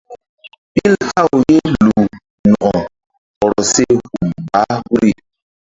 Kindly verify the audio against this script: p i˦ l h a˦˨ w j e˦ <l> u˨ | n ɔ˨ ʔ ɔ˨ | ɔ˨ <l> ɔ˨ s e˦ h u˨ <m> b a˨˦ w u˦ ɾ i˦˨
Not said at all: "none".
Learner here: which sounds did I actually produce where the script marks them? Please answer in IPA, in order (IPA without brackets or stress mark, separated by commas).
l, ɾ, m